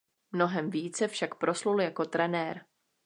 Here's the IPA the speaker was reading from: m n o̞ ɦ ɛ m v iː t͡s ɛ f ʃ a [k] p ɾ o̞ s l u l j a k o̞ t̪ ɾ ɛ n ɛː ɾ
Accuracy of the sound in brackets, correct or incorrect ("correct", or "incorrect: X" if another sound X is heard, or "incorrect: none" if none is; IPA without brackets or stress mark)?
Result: correct